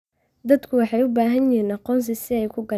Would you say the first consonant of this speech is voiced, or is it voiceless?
voiced